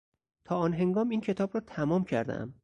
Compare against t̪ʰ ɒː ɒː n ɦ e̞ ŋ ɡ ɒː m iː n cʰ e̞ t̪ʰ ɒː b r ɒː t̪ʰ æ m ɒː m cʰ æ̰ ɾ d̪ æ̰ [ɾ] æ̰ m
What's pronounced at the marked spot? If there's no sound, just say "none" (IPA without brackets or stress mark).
none